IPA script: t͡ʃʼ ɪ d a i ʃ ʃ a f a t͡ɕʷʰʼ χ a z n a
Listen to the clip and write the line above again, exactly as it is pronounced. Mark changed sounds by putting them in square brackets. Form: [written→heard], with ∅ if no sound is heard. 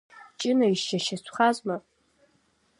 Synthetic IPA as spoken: t͡ʃʼ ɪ [d→n] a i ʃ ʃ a [f→ʃ] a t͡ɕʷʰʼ χ a z [n→m] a